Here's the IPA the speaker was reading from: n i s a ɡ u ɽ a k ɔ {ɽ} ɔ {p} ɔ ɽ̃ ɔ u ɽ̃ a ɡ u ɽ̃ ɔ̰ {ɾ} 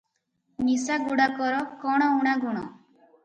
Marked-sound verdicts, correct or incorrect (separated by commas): incorrect, incorrect, incorrect